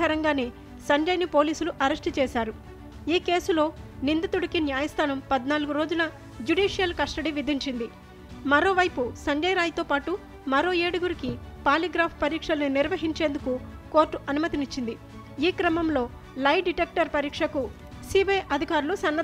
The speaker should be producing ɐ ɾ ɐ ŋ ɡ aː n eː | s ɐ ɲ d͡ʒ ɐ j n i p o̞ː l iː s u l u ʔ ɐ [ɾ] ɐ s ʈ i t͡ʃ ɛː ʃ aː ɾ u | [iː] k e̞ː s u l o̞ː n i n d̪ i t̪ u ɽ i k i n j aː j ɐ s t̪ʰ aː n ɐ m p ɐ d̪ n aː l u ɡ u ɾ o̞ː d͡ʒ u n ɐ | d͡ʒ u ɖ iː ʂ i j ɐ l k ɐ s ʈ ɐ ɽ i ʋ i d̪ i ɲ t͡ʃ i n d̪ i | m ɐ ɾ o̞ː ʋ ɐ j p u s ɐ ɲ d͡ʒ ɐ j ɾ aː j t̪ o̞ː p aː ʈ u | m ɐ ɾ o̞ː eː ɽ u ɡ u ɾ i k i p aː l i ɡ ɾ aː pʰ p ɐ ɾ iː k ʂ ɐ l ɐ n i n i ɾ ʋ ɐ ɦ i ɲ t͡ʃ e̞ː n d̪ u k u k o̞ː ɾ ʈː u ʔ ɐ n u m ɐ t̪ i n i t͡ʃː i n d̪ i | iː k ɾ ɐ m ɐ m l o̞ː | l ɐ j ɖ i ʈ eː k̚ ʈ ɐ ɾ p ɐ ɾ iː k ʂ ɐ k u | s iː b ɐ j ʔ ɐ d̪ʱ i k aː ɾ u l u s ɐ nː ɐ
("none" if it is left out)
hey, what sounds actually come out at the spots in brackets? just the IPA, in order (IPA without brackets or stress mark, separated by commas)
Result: ɾ, iː